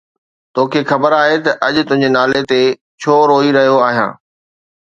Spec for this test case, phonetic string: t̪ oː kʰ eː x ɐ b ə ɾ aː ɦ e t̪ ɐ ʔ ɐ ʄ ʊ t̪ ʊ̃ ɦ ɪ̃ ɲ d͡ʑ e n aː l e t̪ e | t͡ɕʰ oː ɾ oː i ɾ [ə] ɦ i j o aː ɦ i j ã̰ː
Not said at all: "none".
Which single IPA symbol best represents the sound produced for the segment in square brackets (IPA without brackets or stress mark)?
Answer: ɐ